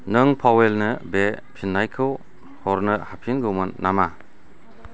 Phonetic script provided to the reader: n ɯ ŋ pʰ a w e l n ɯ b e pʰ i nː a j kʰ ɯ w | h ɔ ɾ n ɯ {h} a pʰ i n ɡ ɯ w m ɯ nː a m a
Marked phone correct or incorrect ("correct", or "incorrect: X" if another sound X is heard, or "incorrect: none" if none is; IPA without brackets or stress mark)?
correct